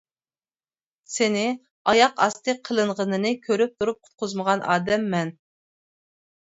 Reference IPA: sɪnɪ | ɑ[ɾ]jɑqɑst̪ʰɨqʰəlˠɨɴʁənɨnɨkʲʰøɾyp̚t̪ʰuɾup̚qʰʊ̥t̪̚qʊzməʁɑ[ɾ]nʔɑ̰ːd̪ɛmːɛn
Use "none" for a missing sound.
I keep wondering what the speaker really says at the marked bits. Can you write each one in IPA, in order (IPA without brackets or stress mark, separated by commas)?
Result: none, none